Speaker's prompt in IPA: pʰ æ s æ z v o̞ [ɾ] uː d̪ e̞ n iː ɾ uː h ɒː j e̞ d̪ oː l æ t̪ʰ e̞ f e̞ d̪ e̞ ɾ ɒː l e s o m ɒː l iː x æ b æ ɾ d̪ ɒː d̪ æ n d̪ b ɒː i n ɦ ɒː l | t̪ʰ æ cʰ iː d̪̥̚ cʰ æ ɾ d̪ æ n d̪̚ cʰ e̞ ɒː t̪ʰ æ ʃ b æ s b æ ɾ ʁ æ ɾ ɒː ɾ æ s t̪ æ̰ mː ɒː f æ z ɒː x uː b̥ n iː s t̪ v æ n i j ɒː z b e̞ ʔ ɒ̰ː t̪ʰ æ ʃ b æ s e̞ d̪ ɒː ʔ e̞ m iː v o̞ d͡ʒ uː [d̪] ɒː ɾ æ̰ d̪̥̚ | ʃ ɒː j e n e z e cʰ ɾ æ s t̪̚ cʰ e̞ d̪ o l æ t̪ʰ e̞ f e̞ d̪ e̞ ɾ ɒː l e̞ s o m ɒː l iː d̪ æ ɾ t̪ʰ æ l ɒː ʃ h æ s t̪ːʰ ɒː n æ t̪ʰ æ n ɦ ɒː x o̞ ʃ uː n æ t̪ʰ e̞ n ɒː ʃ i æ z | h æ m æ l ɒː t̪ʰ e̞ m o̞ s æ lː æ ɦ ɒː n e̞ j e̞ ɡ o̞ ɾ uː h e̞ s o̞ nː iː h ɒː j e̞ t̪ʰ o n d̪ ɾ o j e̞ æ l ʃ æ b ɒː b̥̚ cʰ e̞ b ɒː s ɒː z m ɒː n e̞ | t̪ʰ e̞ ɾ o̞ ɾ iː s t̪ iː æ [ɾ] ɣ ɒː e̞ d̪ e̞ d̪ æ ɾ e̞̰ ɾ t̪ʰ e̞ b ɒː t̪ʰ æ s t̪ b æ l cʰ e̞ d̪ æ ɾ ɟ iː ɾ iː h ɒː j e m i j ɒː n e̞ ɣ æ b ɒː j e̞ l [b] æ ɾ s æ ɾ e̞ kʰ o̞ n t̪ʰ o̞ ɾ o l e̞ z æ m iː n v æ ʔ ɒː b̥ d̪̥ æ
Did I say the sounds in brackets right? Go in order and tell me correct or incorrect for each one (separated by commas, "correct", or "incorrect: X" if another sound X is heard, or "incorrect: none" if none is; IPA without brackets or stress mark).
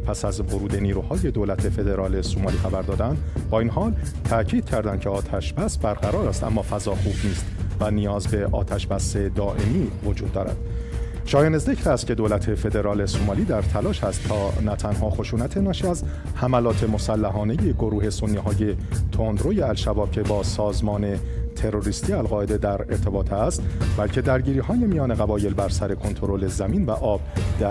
correct, incorrect: d̪ː, incorrect: l, correct